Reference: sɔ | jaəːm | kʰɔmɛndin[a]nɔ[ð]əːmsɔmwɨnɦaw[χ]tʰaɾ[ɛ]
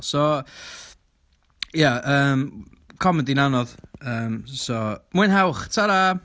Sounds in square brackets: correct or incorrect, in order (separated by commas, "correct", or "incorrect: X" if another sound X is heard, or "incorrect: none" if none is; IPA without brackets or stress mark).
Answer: correct, correct, correct, incorrect: a